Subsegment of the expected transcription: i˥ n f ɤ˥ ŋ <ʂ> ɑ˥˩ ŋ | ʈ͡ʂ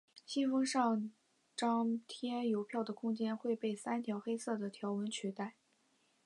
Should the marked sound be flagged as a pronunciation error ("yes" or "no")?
no